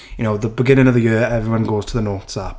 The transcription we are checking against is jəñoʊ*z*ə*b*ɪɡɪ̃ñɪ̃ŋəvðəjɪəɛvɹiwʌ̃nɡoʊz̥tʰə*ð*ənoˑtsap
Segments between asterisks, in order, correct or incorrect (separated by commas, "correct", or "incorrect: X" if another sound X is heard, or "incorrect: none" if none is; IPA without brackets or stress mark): incorrect: ð, correct, correct